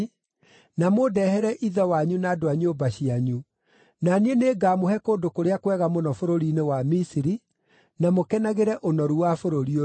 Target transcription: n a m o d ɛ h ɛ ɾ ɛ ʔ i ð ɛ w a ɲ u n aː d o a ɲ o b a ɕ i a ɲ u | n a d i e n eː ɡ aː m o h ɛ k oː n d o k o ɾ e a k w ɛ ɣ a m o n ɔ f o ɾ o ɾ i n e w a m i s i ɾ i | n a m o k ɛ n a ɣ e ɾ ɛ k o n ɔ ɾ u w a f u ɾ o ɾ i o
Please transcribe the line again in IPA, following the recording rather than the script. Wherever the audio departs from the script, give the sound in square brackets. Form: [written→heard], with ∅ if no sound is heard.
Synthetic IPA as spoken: n a m o d ɛ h ɛ ɾ ɛ ʔ i ð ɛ w a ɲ u n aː d o a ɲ o b a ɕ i a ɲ u | n a [d→n] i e n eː ɡ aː m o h ɛ k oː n d o k o ɾ e a k w ɛ ɣ a m o n ɔ f o ɾ o ɾ i n e w a m i s i ɾ i | n a m o k ɛ n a ɣ e ɾ ɛ [k→ʔ] o n ɔ ɾ u w a f [u→o] ɾ o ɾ i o